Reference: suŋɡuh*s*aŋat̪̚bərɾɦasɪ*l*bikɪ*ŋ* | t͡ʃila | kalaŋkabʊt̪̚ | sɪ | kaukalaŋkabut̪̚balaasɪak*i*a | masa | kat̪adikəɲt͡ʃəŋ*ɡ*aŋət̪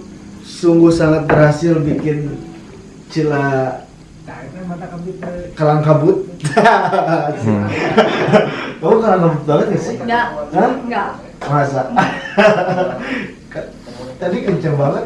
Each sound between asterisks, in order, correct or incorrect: correct, correct, incorrect: n, incorrect: a, incorrect: b

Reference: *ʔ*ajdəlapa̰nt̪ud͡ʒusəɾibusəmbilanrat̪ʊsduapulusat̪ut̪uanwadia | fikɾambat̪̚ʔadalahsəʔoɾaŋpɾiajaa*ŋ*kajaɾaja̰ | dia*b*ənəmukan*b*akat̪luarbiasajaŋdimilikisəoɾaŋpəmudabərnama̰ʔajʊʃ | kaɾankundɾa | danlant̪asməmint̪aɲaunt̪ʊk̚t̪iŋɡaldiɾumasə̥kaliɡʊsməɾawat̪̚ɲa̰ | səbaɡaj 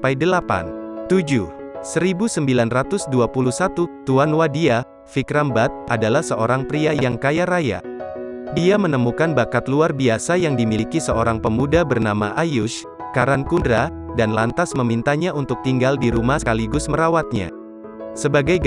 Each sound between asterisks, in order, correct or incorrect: incorrect: p, correct, incorrect: m, correct

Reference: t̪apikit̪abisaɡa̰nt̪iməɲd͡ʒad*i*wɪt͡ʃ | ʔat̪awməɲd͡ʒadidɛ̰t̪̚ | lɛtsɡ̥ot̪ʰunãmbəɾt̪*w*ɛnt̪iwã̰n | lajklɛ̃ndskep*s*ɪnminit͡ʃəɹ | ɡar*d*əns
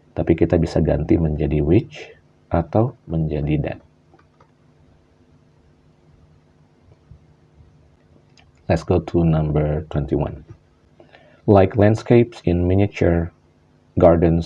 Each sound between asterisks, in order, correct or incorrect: correct, correct, correct, correct

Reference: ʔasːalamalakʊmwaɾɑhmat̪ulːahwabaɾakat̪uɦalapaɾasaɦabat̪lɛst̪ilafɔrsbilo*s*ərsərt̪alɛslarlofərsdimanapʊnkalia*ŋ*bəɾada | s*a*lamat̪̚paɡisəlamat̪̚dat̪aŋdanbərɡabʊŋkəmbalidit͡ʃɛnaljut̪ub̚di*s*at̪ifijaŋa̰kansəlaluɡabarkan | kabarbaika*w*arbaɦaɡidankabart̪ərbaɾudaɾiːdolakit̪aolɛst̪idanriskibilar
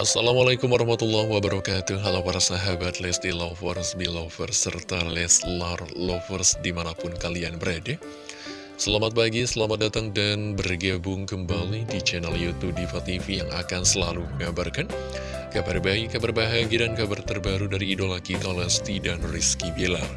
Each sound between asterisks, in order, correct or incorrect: incorrect: f, incorrect: n, incorrect: ə, incorrect: f, incorrect: b

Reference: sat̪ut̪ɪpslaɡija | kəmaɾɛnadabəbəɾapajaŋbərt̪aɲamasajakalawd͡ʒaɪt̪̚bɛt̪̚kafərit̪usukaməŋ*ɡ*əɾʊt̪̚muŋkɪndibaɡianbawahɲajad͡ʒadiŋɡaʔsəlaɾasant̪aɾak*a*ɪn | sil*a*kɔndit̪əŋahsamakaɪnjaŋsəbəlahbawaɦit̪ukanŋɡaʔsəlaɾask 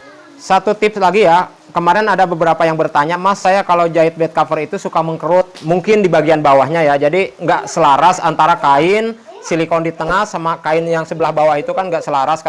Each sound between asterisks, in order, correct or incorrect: incorrect: k, correct, incorrect: i

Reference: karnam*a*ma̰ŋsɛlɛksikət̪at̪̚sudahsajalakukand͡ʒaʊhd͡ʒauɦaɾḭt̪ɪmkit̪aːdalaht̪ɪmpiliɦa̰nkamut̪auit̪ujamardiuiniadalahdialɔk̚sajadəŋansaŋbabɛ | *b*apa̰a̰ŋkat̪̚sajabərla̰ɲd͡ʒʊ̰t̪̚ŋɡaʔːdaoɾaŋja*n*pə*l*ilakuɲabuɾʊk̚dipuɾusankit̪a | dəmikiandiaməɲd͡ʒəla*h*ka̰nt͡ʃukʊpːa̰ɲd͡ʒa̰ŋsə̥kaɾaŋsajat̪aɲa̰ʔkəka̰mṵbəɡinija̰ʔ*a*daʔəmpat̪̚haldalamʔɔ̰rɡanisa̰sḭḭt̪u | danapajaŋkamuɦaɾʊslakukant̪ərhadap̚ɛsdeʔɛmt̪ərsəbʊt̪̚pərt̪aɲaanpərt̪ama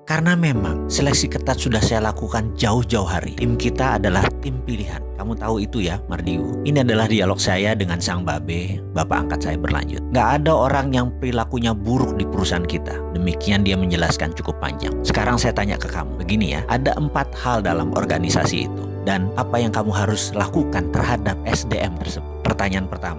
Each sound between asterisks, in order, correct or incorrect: incorrect: e, correct, incorrect: ŋ, incorrect: ɾ, incorrect: s, correct

